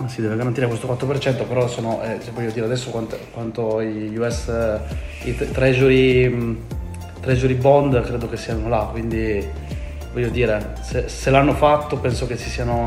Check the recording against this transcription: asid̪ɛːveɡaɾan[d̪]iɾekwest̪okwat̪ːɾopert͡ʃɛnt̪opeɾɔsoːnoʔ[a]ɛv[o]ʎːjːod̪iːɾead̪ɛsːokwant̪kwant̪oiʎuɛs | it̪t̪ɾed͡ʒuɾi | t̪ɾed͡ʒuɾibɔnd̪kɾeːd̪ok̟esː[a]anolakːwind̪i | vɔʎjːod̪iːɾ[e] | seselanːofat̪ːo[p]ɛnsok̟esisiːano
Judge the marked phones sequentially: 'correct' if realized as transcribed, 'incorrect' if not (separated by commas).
incorrect, incorrect, incorrect, incorrect, correct, correct